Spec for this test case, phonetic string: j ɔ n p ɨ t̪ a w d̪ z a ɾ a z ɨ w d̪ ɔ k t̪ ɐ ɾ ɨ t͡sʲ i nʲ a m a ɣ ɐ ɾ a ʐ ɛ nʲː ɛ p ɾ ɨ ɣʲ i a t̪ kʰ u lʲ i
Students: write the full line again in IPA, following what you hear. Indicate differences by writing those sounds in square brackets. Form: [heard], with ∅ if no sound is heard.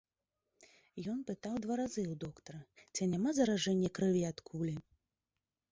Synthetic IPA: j ɔ n p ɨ t̪ a w d̪ [v] a ɾ a z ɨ w d̪ ɔ k t̪ ɐ ɾ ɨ t͡sʲ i nʲ a m a [z] ɐ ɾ a ʐ ɛ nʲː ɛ [k] ɾ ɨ [vʲ] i a t̪ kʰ u lʲ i